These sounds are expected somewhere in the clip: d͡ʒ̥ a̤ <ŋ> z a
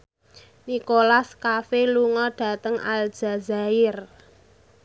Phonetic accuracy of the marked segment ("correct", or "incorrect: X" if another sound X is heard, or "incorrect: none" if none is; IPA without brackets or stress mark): incorrect: none